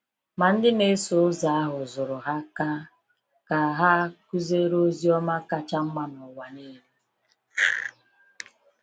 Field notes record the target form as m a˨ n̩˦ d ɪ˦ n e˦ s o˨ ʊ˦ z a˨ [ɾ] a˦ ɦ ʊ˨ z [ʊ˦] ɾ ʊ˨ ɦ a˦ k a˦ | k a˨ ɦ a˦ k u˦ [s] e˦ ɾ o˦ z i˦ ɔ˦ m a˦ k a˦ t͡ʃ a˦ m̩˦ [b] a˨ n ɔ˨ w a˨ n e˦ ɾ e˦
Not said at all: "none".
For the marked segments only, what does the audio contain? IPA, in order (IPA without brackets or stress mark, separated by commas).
none, ʊ˨, z, m